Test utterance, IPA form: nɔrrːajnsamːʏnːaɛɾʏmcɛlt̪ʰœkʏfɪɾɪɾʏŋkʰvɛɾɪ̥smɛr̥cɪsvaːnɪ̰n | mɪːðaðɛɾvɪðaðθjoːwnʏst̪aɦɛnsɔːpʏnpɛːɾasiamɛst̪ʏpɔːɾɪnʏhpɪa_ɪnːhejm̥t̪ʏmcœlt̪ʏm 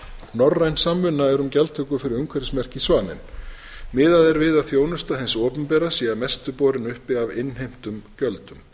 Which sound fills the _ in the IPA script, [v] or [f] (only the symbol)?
v